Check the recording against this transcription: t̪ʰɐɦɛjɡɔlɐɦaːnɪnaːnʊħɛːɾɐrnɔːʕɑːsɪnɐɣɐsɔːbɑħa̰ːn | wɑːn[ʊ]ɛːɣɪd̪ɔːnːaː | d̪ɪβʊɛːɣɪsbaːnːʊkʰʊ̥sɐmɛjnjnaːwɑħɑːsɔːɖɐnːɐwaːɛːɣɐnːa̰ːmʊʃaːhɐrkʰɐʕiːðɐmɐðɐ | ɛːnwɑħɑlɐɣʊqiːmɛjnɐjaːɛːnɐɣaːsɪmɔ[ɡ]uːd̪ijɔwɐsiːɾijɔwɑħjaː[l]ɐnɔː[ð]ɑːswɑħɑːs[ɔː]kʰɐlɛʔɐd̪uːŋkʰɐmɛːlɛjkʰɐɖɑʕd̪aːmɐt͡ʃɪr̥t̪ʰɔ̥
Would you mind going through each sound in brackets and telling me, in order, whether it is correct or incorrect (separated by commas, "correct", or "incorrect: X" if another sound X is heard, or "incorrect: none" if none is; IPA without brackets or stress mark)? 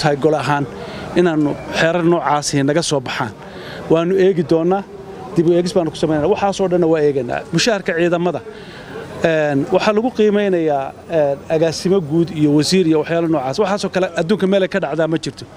correct, correct, correct, incorrect: ʕ, correct